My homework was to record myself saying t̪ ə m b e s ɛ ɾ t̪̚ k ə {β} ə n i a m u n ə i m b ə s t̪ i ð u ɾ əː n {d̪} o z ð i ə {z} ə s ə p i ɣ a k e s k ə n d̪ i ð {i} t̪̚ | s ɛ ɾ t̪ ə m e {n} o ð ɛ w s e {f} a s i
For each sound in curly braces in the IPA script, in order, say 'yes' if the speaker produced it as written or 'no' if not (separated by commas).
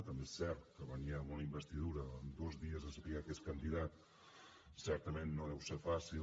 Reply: yes, yes, yes, no, no, yes